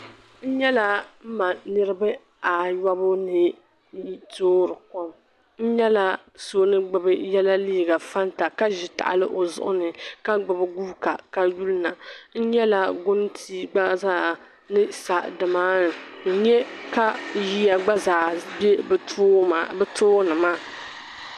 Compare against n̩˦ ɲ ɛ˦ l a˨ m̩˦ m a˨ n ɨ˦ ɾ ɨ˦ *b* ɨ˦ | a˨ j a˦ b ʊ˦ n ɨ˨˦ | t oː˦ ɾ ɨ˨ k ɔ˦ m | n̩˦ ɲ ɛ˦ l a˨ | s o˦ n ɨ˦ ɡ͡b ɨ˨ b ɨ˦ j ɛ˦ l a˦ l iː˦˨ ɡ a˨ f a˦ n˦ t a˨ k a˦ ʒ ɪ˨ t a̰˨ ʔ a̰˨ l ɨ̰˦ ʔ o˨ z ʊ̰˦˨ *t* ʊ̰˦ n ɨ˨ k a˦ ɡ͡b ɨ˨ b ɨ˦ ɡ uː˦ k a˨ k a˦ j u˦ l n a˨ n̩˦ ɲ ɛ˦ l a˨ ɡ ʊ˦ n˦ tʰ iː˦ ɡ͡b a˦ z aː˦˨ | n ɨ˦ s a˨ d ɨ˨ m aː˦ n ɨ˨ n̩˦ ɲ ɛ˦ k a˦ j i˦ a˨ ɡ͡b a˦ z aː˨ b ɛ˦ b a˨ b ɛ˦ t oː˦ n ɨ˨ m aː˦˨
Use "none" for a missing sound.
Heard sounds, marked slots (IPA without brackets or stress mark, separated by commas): b, ʔ